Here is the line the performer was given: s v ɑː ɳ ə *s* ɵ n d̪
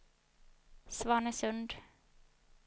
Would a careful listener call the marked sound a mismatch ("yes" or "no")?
no